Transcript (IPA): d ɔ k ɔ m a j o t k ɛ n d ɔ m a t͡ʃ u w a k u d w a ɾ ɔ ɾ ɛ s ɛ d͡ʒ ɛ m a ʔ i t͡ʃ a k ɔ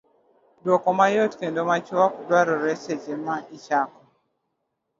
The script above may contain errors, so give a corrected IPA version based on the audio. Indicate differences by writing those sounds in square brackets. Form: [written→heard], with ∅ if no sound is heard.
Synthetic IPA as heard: d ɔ k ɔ m a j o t k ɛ n d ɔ m a t͡ʃ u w a k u d w a ɾ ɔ ɾ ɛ s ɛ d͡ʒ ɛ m a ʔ i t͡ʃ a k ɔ